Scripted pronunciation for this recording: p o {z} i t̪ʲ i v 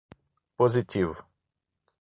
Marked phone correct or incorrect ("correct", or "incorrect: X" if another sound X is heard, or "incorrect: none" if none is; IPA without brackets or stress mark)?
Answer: correct